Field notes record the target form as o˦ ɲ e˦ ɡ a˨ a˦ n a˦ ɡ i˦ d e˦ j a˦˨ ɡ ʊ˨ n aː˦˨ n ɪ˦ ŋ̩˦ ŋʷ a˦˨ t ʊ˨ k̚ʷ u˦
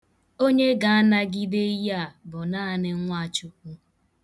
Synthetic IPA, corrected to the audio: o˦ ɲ e˦ ɡ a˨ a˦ n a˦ ɡ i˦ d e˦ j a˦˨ b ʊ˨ n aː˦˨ n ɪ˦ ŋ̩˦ ŋʷ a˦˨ t͡ʃ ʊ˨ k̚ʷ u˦